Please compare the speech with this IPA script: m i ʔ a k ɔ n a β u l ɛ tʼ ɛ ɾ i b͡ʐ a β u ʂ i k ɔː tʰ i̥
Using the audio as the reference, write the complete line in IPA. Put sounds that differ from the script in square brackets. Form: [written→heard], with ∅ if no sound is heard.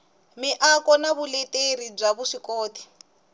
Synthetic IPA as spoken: m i ʔ a k ɔ n a β u l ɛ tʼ [ɛ→e] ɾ i b͡ʐ a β u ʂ i k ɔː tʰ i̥